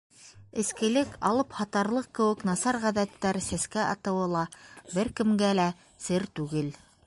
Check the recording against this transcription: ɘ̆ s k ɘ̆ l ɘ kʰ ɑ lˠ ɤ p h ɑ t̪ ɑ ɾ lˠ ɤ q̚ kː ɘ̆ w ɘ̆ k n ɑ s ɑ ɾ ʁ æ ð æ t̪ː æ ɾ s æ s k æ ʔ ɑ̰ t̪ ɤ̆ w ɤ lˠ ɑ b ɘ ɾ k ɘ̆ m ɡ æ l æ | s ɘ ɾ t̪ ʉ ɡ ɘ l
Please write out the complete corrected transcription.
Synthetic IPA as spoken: ɘ̆ s k ɘ̆ l ɘ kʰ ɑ lˠ ɤ p h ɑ t̪ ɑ ɾ lˠ ɤ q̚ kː ɘ̆ w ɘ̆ k n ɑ s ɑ ɾ ʁ æ ð æ t̪ː æ ɾ s æ s k æ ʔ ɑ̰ t̪ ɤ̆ w ɤ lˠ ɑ b ɘ ɾ k ɘ̆ m ɡ æ l æ | s ɘ ɾ t̪ ʉ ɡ ɘ l